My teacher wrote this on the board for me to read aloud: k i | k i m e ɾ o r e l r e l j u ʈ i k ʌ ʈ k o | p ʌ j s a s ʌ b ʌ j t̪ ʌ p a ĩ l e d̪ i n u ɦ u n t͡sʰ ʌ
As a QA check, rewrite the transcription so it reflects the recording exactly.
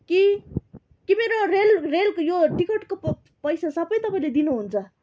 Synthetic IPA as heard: k i | k i m e ɾ o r e l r e l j o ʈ i k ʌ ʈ k o | p ʌ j s a s ʌ b ʌ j t̪ ʌ p a ĩ l e d̪ i n u ɦ u n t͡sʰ ʌ